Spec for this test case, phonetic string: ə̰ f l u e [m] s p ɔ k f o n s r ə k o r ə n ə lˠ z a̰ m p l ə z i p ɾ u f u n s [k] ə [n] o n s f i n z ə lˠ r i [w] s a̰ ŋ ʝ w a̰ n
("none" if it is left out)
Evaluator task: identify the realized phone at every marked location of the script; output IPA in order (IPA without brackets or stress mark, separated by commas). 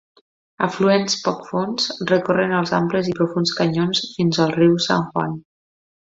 n, k, ɲ, w